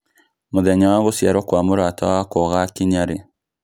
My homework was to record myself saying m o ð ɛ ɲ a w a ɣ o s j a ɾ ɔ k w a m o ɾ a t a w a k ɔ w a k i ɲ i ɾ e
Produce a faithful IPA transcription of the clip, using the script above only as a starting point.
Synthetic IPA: m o ð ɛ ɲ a w a ɣ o s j a ɾ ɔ k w a m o ɾ a t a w a k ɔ ɣ a k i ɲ a ɾ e